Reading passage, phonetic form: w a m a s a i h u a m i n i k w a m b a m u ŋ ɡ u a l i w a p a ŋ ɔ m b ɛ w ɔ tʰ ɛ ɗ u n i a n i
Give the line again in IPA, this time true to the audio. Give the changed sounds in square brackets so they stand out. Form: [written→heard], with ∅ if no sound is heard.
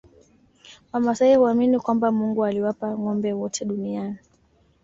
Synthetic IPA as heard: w a m a s a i h u a m i n i k w a m b a m u ŋ ɡ u a l i w a p a ŋ ɔ m b ɛ w ɔ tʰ ɛ ɗ u n i a n i

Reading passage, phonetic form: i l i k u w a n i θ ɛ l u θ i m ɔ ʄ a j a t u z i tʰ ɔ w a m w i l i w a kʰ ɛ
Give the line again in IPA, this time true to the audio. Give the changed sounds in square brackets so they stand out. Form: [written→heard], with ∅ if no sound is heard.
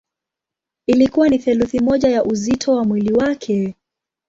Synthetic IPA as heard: i l i k u w a n i θ ɛ l u θ i m ɔ ʄ a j a [t→ʔ] u z i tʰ ɔ w a m w i l i w a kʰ ɛ

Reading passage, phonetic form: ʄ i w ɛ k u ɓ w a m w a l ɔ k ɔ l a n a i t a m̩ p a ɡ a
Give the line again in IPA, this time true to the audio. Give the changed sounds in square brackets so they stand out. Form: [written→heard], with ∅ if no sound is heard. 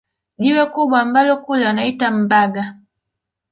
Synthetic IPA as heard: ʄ i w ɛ k u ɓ w a m [w→b] a l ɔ k [ɔ→u] l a n a i t a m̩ [p→b] a ɡ a

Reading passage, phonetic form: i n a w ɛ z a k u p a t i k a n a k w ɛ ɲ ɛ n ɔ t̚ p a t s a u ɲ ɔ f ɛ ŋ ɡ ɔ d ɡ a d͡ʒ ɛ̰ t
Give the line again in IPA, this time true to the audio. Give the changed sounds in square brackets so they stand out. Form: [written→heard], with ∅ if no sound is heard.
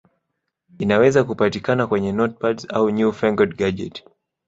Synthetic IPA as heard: i n a w ɛ z a k u p a t i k a n a k w ɛ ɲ ɛ n ɔ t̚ p a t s a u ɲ [ɔ→u] f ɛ ŋ ɡ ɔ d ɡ a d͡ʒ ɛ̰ t

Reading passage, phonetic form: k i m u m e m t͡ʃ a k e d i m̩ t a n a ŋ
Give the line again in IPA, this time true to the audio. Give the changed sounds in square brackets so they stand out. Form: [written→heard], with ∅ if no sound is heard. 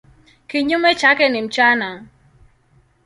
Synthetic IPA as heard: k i [m→ɲ] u m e [m→∅] t͡ʃ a k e [d→n] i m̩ [t→t͡ʃ] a n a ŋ

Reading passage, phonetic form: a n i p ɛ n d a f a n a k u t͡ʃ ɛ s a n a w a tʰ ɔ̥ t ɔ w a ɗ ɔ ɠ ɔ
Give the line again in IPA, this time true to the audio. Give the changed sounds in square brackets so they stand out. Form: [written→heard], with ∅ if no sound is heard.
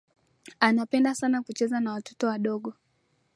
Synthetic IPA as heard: a n [i→a] p ɛ n d a [f→s] a n a k u t͡ʃ ɛ [s→z] a n a w a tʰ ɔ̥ t ɔ w a ɗ ɔ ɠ ɔ

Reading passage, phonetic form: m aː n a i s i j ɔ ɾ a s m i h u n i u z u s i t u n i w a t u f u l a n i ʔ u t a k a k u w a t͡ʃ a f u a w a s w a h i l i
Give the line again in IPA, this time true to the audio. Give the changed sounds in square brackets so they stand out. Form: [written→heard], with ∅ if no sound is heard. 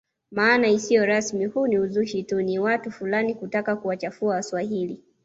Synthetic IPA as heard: m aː n a i s i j ɔ ɾ a s m i h u n i u z u [s→ʃ] i t u n i w a t u f u l a n i [ʔ→k] u t a k a k u w a t͡ʃ a f u a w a s w a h i l i

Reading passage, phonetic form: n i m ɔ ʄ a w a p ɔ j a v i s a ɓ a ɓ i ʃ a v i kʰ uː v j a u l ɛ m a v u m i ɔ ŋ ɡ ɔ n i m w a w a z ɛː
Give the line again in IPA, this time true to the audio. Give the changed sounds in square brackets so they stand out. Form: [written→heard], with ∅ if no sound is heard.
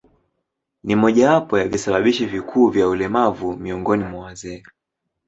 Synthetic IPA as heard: n i m ɔ ʄ a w a p ɔ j a v i s a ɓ a ɓ i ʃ [a→i] v i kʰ uː v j a u l ɛ m a v u m i ɔ ŋ ɡ ɔ n i m w a w a z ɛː

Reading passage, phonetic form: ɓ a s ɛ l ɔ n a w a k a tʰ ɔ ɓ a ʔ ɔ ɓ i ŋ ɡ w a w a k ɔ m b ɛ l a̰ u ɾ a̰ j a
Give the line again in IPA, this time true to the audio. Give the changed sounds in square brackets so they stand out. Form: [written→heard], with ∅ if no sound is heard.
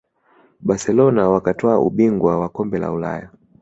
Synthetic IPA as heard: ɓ a s ɛ l ɔ n a w a k a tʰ ɔ [ɓ→∅] a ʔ [ɔ→u] ɓ i ŋ ɡ w a w a k ɔ m b ɛ l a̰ u [ɾ→l] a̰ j a

